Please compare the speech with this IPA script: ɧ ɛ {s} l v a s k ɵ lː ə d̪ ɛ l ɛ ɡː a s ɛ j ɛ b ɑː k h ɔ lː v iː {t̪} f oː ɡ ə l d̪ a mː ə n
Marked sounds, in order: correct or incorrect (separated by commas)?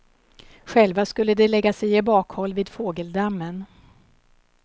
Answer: incorrect, incorrect